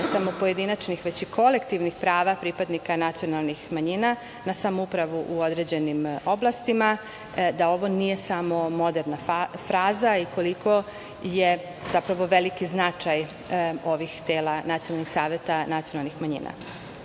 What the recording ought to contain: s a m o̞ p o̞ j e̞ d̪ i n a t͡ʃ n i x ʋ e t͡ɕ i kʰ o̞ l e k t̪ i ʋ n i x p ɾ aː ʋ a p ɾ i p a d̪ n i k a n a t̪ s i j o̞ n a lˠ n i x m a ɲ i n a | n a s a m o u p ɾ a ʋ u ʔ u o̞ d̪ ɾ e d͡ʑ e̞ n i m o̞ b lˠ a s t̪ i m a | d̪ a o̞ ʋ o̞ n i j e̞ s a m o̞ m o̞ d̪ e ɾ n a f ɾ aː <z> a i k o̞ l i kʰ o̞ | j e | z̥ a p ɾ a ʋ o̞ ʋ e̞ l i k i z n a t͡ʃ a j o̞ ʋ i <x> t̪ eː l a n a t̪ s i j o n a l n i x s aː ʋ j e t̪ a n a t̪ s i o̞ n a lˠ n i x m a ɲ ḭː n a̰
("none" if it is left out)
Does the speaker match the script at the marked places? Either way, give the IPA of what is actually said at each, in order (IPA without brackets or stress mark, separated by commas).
z, x